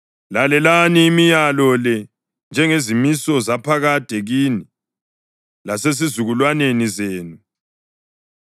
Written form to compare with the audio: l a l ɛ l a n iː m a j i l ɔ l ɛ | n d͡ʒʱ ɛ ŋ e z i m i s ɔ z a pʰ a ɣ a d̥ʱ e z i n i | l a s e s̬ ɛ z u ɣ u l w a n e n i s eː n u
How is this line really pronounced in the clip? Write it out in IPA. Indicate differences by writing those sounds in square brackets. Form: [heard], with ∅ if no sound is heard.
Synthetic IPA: l a l ɛ l a n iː m [i] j [a] l ɔ l ɛ | n d͡ʒʱ ɛ ŋ e z i m i s ɔ z a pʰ a ɣ a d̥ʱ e [ɣ] i n i | l a s e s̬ [i] z u ɣ u l w a n e n i [z] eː n u